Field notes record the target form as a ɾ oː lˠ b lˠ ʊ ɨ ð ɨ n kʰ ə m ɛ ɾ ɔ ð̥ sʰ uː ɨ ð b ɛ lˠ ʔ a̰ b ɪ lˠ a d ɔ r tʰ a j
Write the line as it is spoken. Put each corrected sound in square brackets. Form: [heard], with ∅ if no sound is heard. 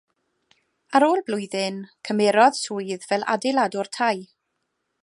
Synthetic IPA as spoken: a ɾ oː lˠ b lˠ ʊ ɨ ð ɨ n kʰ ə m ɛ ɾ ɔ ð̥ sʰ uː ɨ ð [v] ɛ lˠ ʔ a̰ [d] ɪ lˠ a d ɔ r tʰ a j